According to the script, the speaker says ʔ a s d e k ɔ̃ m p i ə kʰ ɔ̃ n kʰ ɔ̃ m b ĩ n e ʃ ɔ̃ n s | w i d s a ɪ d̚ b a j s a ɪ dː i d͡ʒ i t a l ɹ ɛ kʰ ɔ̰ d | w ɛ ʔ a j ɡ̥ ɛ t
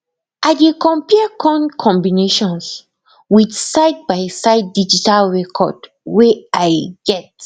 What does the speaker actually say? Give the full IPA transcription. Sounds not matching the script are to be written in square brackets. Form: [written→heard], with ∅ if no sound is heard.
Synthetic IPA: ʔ a [s→∅] d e k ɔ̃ m p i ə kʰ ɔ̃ n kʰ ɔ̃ m b [ĩ→i] n e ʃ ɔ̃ n s | w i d s a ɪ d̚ b a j s a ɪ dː i d͡ʒ i t a l ɹ ɛ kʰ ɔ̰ d | w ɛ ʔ a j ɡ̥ ɛ t

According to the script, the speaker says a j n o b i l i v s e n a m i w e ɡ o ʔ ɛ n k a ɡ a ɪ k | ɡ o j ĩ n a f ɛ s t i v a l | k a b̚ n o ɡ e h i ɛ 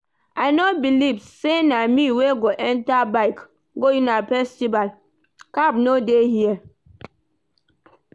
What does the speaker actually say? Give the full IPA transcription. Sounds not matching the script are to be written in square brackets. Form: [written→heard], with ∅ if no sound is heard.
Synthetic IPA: a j n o b i l i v s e n a m i w e ɡ o ʔ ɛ n [k→t] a [ɡ→b] a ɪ k | ɡ o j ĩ n a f ɛ s t i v a l | k a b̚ n o [ɡ→d] e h i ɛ

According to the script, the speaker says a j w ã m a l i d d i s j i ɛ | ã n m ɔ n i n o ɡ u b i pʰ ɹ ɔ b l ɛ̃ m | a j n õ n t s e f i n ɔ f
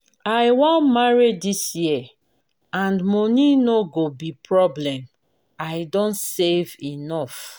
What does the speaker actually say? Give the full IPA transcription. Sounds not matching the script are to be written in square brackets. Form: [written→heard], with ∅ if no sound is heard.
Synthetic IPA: a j w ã m a [l→ɹ] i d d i s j i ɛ | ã n m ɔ n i n o ɡ [u→o] b i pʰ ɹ ɔ b l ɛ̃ m | a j [n→d] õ n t s e [f→v] i n ɔ f

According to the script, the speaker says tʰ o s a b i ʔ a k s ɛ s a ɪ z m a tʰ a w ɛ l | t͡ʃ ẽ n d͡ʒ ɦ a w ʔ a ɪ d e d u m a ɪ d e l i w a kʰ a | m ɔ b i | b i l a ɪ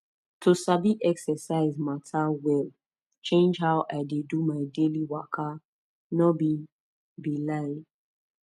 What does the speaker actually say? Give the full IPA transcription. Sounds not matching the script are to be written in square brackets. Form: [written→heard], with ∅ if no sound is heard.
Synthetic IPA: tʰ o s a b i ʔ [a→ɛ] k s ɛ s a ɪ z m a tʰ a w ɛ l | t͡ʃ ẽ n d͡ʒ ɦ a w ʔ a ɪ d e d u m a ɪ d e l i w a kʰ a | [m→n] ɔ b i | b i l a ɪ

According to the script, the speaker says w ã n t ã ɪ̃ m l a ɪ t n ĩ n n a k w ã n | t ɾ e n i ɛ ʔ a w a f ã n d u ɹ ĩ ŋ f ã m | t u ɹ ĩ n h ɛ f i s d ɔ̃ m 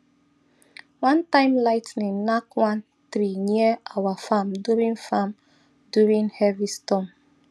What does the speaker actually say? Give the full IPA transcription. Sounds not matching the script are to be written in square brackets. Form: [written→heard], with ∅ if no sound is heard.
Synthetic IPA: w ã n t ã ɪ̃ m l a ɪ t n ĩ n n a k w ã n | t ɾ [e→i] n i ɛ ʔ a w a f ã [n→m] d u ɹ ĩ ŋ f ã m | [t→d] u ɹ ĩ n h ɛ [f→v] i s [d→t] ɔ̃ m

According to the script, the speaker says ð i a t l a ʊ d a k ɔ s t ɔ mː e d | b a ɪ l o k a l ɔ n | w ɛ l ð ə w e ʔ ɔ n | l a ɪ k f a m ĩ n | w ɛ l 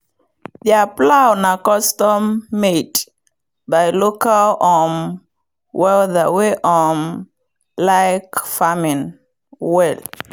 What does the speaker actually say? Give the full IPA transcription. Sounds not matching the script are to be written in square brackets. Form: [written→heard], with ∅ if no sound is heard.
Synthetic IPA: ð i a [t→p] l a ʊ [d→n] a k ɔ s t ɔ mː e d | b a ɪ l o k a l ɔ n | w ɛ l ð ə w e ʔ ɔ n | l a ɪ k f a m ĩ n | w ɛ l

